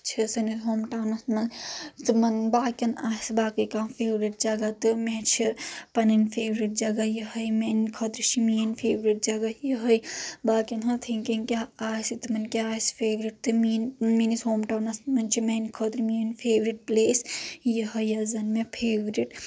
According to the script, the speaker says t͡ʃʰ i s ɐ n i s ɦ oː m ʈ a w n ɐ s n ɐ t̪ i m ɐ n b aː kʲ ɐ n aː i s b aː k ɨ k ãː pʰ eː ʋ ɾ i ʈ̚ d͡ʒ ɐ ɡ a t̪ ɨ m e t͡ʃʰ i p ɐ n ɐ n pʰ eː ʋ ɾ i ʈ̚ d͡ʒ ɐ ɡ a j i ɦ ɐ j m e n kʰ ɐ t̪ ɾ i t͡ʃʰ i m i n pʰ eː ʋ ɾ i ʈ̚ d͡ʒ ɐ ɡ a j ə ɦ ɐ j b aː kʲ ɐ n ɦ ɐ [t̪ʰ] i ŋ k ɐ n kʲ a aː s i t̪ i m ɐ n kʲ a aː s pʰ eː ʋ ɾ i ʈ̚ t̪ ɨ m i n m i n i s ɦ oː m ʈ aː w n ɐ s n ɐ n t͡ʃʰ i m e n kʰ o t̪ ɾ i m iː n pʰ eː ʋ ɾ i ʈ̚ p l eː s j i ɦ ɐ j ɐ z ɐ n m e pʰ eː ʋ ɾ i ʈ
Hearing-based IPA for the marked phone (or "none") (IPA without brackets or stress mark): t̪ʰ